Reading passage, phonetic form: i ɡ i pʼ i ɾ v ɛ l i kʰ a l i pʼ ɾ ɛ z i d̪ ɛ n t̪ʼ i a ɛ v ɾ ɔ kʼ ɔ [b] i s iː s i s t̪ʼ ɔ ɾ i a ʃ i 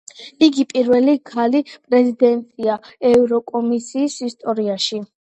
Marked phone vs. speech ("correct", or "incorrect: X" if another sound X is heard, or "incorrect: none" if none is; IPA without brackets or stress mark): incorrect: m